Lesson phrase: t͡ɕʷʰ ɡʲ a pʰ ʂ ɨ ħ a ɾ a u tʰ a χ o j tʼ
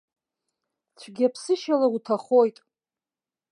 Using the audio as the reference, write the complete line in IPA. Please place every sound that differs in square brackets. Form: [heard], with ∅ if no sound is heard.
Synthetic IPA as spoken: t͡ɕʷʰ ɡʲ a pʰ [s] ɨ [ʃ] a [l] a u tʰ a χ o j tʼ